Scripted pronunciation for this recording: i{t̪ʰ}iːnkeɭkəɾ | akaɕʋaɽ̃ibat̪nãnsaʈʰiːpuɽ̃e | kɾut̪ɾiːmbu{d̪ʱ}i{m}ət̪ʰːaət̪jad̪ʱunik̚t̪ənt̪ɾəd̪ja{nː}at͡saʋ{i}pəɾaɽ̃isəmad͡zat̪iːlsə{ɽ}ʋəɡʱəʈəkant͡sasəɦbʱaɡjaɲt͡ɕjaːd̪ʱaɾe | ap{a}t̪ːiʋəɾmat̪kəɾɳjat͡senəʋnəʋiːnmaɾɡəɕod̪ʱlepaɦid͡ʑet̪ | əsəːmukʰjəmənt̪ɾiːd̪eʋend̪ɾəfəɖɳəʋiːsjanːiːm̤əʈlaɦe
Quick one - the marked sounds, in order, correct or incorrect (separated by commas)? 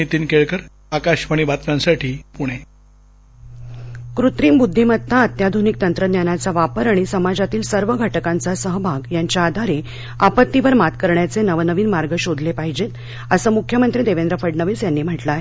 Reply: incorrect, incorrect, correct, incorrect, incorrect, incorrect, incorrect